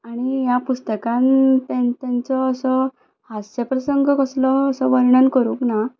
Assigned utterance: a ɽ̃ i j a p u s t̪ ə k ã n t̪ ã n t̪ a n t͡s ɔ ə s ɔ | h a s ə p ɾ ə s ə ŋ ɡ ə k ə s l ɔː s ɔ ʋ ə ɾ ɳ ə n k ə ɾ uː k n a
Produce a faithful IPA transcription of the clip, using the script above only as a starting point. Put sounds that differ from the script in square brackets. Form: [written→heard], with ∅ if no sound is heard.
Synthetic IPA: a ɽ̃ i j a p u s t̪ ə k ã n t̪ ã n t̪ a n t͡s ɔ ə s ɔ | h a s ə p ɾ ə s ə ŋ ɡ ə k ə s l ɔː s ɔ ʋ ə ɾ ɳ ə n k ə ɾ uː k n a